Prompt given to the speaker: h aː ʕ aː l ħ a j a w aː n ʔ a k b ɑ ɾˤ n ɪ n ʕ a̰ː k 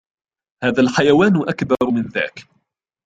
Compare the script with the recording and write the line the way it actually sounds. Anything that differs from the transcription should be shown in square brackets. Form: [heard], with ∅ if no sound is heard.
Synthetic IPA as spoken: h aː [ð] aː l ħ a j a w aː n ʔ a k b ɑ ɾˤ [m] ɪ n [ð] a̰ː k

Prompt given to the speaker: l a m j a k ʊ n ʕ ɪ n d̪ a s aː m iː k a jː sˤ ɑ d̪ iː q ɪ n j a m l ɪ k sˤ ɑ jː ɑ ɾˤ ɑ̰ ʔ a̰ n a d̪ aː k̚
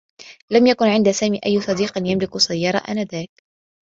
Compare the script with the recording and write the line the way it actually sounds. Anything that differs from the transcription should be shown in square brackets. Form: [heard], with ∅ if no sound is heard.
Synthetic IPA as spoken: l a m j a k ʊ n ʕ ɪ n d̪ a s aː m iː [ʔ] a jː sˤ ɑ d̪ iː q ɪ n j a m l ɪ k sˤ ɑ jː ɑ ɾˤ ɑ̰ ʔ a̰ n a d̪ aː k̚

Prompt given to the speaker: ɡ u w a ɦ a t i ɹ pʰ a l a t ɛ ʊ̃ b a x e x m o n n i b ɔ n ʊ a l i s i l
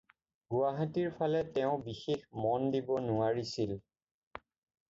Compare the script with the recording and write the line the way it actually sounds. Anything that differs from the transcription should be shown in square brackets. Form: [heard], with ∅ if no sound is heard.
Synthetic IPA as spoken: ɡ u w a ɦ a t i ɹ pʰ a l [ɛ] t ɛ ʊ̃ b [i] x e x m [ɔ] n [d] i b ɔ n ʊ a [ɹ] i s i l

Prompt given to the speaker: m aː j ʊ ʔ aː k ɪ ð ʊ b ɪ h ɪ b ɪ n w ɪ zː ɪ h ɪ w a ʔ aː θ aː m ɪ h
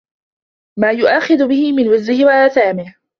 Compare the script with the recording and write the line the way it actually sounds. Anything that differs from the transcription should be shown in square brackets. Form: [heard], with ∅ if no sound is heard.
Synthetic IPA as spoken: m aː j ʊ ʔ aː [x] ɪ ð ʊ b ɪ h ɪ [m] ɪ n w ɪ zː ɪ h ɪ w a ʔ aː θ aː m ɪ h

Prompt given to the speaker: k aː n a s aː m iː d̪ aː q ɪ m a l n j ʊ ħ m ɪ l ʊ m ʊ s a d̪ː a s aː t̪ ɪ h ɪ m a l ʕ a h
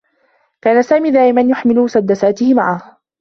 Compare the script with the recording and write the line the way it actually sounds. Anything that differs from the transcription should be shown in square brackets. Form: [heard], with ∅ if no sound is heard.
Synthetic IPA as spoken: k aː n a s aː m iː d̪ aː [ʔ] ɪ m a [∅] n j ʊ ħ m ɪ l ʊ m ʊ s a d̪ː a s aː t̪ ɪ h ɪ m a [∅] ʕ a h

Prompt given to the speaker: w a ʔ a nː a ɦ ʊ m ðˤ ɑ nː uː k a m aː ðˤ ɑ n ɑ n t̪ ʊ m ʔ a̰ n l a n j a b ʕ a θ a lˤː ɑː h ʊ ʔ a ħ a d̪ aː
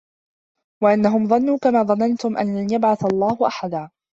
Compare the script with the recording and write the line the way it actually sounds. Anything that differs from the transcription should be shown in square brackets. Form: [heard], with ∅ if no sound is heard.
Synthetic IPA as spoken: w a ʔ a nː a ɦ ʊ m ðˤ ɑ nː uː k a m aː ðˤ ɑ n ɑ n t̪ ʊ m ʔ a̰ n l a n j a b ʕ a θ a lˤː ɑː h ʊ ʔ a ħ a d̪ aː

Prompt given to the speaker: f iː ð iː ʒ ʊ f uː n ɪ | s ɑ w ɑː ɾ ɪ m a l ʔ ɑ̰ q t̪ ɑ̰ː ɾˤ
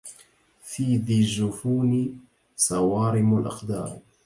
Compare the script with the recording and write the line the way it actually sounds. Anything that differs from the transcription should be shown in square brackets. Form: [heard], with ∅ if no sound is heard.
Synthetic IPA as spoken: f iː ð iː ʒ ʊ f uː n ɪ | s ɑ w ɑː ɾ ɪ m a l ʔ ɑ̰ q [d̪] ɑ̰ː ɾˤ

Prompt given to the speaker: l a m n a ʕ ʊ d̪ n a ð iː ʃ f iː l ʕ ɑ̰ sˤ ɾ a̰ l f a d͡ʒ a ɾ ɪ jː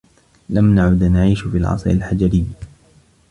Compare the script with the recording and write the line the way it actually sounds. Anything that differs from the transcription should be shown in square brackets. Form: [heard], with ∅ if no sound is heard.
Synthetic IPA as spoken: l a m n a ʕ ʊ d̪ n a [ʕ] iː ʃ f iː l ʕ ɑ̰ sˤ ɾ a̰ l [ħ] a d͡ʒ a ɾ ɪ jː

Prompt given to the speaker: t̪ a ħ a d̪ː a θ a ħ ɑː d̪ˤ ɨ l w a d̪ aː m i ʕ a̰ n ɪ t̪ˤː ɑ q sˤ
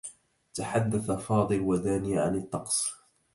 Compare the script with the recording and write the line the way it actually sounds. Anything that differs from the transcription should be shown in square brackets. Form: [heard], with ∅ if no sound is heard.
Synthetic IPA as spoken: t̪ a ħ a d̪ː a θ a [f] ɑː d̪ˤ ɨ l w a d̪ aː [n] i ʕ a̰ n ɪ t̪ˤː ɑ q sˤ

